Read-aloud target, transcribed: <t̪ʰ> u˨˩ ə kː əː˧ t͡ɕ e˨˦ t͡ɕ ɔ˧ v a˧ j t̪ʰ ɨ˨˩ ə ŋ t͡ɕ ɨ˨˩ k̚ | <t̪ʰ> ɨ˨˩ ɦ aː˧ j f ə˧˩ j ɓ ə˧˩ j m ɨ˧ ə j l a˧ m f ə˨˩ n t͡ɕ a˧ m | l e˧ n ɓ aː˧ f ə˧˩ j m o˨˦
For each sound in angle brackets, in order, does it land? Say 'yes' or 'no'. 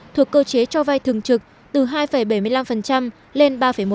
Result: yes, no

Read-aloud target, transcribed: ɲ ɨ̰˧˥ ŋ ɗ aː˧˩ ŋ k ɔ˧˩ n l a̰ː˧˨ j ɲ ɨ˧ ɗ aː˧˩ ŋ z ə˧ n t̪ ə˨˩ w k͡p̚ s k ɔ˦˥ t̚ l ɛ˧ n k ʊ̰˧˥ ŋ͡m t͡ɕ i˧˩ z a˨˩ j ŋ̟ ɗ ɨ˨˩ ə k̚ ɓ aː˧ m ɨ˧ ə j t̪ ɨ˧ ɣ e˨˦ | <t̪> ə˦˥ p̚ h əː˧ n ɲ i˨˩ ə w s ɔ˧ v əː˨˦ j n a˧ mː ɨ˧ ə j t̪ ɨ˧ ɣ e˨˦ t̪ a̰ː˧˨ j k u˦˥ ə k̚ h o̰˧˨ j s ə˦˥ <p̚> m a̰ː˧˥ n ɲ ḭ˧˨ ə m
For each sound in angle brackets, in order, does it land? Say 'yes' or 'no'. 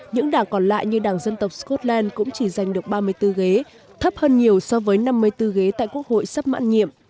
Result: no, yes

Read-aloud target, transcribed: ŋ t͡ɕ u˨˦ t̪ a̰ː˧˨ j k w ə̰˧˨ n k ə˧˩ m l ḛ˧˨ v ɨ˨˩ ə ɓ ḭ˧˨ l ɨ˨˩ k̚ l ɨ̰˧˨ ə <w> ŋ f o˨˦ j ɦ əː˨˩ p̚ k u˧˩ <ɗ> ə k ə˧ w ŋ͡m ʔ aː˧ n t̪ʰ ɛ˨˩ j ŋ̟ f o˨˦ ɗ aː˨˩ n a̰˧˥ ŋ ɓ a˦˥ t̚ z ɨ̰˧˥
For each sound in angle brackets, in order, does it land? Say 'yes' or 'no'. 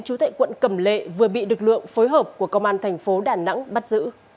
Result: no, no

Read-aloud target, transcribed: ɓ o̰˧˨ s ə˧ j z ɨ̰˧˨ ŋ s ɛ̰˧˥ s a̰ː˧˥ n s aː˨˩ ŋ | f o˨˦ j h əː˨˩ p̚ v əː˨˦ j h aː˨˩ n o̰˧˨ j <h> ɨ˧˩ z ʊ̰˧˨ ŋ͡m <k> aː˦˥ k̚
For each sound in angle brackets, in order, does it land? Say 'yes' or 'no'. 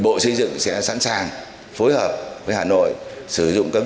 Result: no, yes

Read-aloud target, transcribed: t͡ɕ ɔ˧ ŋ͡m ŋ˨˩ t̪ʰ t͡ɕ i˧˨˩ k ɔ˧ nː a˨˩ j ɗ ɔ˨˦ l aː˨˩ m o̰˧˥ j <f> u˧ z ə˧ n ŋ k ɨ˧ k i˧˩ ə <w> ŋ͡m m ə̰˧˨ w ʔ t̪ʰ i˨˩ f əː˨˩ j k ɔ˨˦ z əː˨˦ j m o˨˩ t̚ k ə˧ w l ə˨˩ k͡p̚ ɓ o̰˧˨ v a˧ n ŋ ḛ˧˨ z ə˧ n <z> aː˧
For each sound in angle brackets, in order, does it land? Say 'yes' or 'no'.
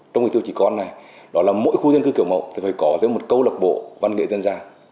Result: no, yes, yes

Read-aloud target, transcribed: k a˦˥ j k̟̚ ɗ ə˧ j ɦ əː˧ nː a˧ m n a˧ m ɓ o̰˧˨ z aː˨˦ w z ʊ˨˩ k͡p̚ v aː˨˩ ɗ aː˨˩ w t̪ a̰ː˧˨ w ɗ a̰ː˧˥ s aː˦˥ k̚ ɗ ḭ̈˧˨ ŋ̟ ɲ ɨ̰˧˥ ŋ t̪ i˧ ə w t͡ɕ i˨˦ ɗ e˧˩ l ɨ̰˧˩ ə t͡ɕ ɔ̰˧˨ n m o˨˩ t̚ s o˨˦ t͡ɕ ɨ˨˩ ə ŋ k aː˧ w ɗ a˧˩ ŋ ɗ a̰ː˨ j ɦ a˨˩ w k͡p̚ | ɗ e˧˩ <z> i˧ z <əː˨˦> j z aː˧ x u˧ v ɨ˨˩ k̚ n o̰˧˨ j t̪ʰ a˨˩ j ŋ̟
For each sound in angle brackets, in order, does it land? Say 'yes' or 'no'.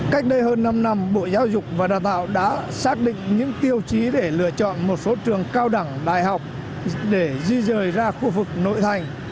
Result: yes, no

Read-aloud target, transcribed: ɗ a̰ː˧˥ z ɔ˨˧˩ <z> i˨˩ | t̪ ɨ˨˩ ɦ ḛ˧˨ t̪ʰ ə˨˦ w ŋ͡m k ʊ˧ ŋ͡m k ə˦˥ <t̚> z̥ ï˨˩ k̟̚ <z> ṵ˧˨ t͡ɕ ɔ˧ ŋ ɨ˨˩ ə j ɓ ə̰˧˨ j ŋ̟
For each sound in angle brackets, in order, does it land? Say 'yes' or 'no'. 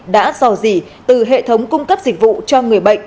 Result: yes, no, no

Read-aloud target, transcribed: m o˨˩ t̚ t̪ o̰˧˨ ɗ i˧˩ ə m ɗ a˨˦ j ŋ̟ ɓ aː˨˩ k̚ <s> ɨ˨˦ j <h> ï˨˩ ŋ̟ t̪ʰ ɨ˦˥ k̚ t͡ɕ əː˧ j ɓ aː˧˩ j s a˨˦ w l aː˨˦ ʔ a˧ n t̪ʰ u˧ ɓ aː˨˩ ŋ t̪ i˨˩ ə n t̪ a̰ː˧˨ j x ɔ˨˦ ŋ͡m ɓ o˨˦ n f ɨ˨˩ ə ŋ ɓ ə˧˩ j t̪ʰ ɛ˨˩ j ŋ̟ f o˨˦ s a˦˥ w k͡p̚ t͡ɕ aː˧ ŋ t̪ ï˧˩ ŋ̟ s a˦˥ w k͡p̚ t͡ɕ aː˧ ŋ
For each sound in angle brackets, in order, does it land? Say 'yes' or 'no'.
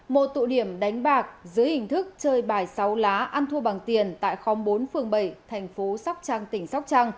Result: no, yes

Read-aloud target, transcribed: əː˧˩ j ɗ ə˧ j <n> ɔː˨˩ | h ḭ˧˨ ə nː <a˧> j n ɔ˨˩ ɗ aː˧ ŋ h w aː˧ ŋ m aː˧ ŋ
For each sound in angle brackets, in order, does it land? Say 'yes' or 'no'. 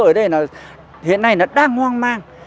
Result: yes, yes

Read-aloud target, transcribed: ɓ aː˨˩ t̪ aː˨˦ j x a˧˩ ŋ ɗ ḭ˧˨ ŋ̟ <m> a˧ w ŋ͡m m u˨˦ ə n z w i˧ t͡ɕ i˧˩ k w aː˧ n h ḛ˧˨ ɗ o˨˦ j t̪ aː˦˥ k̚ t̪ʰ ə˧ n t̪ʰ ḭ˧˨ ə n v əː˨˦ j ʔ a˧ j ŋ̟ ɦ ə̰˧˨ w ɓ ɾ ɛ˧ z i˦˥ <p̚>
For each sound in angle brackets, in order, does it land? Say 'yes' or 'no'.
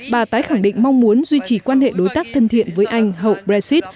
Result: yes, no

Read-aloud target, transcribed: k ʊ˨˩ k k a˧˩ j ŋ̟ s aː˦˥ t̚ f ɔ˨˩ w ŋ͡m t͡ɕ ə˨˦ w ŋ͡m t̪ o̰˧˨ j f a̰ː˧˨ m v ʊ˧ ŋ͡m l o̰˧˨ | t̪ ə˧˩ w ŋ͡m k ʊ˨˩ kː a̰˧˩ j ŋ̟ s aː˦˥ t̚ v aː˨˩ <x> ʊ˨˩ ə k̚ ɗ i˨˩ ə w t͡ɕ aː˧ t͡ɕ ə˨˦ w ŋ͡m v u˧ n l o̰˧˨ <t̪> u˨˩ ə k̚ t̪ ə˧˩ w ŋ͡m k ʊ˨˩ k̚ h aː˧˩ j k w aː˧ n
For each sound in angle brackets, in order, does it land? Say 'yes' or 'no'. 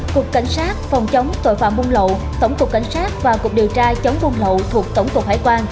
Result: no, no

